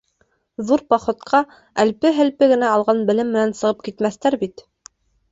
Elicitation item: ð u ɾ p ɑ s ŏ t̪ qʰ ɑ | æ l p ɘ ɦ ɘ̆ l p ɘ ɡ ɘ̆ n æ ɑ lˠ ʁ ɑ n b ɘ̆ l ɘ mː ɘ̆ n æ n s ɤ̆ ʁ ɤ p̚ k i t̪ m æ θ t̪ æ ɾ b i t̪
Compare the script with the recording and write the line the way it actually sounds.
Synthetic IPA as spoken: ð u ɾ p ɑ χ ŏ t̪ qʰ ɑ | æ l p ɘ ɦ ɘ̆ l p ɘ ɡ ɘ̆ n æ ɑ lˠ ʁ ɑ n b ɘ̆ l ɘ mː ɘ̆ n æ n s ɤ̆ ʁ ɤ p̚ k i t̪ m æ θ t̪ æ ɾ b i t̪